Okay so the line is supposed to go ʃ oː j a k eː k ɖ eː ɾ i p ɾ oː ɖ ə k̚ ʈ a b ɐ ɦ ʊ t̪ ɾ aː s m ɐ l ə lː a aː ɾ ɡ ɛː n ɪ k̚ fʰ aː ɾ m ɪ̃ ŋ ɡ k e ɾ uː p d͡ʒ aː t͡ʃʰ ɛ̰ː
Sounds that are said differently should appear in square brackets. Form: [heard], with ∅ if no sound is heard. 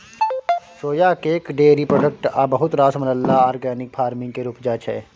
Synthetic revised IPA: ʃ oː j a k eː k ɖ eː ɾ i p ɾ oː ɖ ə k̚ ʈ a b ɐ ɦ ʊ t̪ ɾ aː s m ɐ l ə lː a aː ɾ ɡ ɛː n ɪ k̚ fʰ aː ɾ m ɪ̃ ŋ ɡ k e ɾ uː p d͡ʒ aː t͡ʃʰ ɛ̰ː